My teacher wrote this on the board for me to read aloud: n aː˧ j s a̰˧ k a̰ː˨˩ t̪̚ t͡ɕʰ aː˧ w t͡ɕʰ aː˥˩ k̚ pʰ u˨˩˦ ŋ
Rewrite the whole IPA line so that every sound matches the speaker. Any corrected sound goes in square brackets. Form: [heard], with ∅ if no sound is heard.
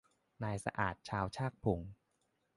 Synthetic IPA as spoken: n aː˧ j s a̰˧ [ʔ] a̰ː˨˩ t̪̚ t͡ɕʰ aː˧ w t͡ɕʰ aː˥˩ k̚ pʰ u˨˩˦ ŋ